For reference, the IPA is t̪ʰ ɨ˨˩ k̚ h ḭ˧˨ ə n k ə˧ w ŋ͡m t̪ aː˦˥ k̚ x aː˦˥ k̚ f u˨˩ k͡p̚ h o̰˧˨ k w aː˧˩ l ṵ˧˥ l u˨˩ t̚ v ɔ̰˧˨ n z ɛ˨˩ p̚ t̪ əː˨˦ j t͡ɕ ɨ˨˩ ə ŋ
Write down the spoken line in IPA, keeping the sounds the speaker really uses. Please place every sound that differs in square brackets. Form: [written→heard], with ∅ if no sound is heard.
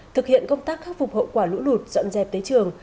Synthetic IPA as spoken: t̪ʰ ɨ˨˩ k̚ h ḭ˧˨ ə n k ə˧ w ŋ͡m t̪ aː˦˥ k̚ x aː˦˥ k̚ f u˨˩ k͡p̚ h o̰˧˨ k w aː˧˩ l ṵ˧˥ l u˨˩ t̚ [v→z] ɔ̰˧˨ n z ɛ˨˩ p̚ t̪ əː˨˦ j t͡ɕ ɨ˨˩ ə ŋ